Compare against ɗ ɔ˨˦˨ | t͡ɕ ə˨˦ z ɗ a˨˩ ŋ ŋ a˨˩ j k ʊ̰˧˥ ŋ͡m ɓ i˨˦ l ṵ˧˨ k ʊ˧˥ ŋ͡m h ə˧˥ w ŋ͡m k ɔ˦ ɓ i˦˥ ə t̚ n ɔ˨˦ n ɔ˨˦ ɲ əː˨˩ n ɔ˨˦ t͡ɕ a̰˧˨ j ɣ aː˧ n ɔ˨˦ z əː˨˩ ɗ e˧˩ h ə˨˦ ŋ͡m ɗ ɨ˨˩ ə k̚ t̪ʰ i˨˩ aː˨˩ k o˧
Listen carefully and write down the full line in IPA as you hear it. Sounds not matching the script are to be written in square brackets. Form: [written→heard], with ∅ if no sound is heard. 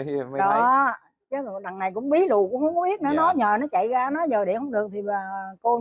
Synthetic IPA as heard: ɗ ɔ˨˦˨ | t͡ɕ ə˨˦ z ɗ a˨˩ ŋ [ŋ→n] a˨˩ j k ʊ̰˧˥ ŋ͡m ɓ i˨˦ l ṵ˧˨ k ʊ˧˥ ŋ͡m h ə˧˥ w ŋ͡m k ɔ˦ ɓ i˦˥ ə t̚ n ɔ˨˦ n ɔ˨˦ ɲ əː˨˩ n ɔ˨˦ t͡ɕ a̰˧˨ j ɣ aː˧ n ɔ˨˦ z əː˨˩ ɗ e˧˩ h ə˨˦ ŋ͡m ɗ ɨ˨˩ ə k̚ t̪ʰ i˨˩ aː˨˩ k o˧